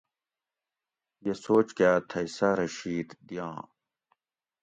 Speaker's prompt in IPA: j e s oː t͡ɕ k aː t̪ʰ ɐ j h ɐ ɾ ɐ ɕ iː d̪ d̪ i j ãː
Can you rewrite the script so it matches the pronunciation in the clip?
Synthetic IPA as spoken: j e s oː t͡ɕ k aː t̪ʰ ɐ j s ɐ ɾ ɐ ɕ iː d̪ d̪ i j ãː